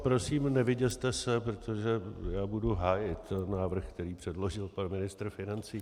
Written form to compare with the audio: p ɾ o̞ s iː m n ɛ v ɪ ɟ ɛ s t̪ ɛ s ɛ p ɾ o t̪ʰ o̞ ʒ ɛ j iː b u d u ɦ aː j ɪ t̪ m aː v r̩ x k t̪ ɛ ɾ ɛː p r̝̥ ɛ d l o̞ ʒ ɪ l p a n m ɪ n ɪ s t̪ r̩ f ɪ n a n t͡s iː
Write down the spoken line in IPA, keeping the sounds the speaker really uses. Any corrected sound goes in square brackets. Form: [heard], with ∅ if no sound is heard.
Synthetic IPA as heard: p ɾ o̞ s iː m n ɛ v ɪ ɟ ɛ s t̪ ɛ s ɛ p ɾ o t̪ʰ o̞ ʒ ɛ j [aː] b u d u ɦ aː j ɪ t̪ [n] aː v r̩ x k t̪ ɛ ɾ [iː] p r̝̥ ɛ d l o̞ ʒ ɪ l p a n m ɪ n ɪ s t̪ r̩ f ɪ n a n t͡s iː

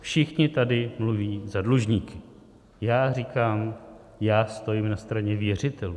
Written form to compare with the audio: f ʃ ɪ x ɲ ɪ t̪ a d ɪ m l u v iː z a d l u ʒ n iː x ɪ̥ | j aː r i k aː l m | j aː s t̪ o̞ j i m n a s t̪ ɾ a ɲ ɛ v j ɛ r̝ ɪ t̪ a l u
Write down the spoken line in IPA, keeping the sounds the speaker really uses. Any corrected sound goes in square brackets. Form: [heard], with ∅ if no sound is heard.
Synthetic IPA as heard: f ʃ ɪ x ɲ ɪ t̪ a d ɪ m l u v iː z a d l u ʒ [ɲ] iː [k] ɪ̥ | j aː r i k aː [∅] m | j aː s t̪ o̞ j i m n a s t̪ ɾ a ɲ ɛ v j ɛ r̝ ɪ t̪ [ɛ] l u

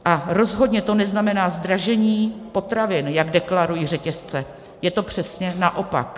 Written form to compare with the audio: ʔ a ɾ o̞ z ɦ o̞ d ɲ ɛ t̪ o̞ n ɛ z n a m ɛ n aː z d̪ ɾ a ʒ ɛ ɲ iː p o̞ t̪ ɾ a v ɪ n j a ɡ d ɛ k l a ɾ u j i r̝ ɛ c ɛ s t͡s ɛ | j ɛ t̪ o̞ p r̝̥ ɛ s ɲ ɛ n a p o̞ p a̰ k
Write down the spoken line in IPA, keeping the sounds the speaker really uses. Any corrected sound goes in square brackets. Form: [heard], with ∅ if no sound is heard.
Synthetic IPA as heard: ʔ a ɾ o̞ z ɦ o̞ d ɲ ɛ t̪ o̞ n ɛ z n a m ɛ n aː z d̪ ɾ a ʒ ɛ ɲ iː p o̞ t̪ ɾ a v ɪ n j a ɡ d ɛ k l a ɾ u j i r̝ ɛ c ɛ s t͡s ɛ | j ɛ t̪ o̞ p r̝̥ ɛ s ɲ ɛ n a [ʔ] o̞ p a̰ k

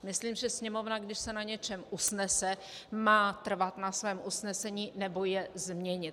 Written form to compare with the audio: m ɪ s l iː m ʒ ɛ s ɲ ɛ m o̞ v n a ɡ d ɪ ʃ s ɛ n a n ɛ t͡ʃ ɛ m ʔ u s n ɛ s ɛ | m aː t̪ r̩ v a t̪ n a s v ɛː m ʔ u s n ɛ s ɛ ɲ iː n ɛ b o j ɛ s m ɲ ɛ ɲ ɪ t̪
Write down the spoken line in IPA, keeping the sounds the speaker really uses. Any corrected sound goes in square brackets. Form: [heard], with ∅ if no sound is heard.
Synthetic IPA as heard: m ɪ s l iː m ʒ ɛ s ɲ ɛ m o̞ v n a ɡ d ɪ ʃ s ɛ n a [ɲ] ɛ t͡ʃ ɛ m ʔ u s n ɛ s ɛ | m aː t̪ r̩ v a t̪ n a s v ɛː m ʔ u s n ɛ s ɛ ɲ iː n ɛ b o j ɛ [z] m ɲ ɛ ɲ ɪ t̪

